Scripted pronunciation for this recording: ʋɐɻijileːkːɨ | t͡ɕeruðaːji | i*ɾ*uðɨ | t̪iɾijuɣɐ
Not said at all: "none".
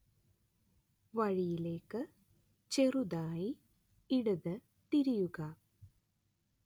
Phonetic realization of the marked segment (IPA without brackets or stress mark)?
ɽ